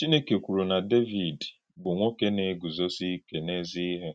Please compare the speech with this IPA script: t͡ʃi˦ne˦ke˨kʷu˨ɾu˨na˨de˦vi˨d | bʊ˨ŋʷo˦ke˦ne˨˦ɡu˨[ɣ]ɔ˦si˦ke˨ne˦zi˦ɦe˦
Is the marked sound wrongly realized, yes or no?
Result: yes